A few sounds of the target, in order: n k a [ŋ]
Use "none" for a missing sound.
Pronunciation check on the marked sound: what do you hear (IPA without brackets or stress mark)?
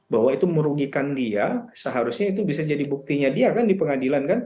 n